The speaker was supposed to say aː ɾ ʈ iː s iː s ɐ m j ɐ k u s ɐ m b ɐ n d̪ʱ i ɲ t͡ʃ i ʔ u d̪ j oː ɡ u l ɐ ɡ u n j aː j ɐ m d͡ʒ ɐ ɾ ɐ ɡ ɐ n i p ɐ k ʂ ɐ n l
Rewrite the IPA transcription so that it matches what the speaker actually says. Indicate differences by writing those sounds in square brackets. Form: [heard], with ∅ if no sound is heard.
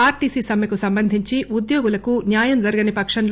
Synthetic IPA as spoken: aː ɾ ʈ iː s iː s ɐ m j ɐ k u s ɐ m b ɐ n d̪ʱ i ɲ t͡ʃ i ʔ u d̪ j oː ɡ u l ɐ [k] u n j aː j ɐ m d͡ʒ ɐ ɾ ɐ ɡ ɐ n i p ɐ k ʂ ɐ n l